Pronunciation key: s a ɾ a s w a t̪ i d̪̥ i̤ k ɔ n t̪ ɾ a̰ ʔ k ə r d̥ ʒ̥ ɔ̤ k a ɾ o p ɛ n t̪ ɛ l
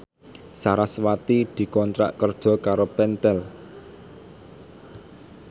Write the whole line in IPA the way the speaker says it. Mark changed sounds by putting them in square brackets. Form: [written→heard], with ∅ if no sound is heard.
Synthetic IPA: s a ɾ a s w a t̪ i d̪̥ i̤ k ɔ n t̪ ɾ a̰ ʔ k ə r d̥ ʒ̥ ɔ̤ k a ɾ o p ɛ n t̪ ɛ l